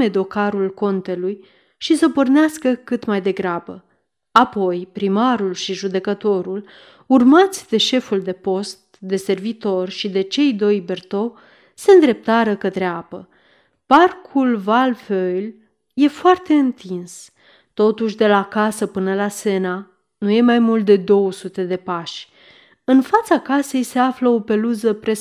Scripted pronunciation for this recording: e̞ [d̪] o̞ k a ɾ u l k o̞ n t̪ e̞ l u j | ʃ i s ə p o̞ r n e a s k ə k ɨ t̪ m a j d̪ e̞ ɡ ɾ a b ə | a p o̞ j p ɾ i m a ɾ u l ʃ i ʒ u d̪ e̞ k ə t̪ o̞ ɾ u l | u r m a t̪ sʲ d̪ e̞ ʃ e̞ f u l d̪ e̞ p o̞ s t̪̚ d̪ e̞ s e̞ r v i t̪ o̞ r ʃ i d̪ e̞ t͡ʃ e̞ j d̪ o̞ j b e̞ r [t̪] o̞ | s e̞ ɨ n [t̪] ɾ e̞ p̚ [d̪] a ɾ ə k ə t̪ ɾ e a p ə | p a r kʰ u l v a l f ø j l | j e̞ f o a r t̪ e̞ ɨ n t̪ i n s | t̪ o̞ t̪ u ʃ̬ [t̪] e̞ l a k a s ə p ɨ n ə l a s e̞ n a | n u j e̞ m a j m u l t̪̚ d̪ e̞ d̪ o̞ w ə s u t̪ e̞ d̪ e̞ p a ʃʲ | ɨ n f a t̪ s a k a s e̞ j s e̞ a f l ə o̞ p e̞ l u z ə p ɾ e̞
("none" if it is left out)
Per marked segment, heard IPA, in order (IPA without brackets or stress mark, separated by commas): d̪, t̪, d̪, t̪, d̪